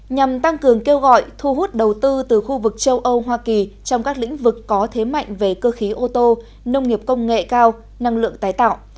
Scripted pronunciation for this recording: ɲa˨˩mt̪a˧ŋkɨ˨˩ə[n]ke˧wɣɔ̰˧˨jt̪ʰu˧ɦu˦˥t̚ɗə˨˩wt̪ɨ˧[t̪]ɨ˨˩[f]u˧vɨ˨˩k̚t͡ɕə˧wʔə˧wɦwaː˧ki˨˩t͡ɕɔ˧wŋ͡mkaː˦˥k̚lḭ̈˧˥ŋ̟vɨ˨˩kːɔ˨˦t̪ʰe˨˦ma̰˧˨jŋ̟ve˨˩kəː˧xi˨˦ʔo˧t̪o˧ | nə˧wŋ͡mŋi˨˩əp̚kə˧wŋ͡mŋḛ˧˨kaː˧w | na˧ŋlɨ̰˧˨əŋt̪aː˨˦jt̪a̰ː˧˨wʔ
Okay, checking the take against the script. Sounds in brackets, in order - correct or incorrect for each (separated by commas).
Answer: incorrect, correct, incorrect